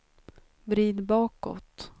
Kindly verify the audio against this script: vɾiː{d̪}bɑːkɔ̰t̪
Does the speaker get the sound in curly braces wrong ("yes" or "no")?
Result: no